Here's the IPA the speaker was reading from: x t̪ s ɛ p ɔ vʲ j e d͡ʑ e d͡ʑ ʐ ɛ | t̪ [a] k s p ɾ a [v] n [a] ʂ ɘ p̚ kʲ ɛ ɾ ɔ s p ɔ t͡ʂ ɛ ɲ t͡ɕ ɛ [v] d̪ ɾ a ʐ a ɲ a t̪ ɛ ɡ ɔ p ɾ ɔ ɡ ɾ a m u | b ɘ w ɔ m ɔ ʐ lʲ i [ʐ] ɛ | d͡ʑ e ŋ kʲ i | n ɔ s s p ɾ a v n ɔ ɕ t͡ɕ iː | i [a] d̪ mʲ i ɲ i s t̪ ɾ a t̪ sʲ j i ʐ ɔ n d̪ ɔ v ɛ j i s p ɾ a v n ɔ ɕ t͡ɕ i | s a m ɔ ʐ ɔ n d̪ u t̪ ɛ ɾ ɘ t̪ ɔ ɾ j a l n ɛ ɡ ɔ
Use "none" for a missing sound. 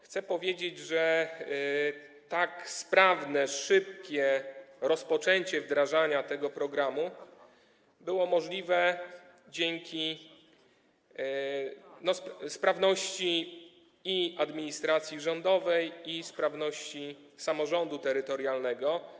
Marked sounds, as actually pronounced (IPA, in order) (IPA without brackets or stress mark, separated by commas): a, v, ɛ, v, v, a